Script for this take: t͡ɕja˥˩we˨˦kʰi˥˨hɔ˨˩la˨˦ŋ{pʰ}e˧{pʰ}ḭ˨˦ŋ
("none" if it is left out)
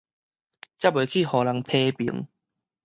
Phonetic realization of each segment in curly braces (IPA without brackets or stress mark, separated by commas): pʰ, p